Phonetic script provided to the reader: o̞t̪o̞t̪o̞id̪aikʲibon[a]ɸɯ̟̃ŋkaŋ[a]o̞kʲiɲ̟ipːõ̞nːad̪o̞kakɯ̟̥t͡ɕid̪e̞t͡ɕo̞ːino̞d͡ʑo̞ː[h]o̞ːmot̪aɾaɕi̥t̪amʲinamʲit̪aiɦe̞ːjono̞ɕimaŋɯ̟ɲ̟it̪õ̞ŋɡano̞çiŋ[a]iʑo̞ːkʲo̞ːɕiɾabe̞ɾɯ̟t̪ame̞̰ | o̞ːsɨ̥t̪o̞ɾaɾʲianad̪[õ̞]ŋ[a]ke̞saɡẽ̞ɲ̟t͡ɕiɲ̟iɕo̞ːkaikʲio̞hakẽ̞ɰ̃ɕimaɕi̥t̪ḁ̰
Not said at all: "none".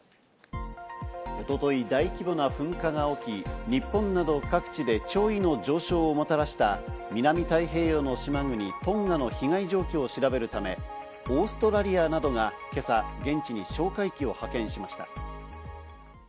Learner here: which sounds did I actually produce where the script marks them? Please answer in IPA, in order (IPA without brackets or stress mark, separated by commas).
a, a, ɕ, a, o̞, a